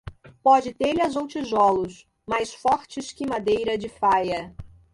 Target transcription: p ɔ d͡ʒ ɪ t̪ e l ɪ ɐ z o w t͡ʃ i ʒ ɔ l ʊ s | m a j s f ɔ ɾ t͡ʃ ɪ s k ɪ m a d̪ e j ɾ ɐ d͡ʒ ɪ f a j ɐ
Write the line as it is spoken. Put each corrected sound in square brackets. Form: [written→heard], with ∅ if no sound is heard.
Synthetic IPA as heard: p ɔ d͡ʒ ɪ t̪ e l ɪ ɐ z o w t͡ʃ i ʒ ɔ l ʊ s | m a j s f ɔ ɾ t͡ʃ ɪ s k ɪ m a d̪ e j ɾ ɐ d͡ʒ ɪ f a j ɐ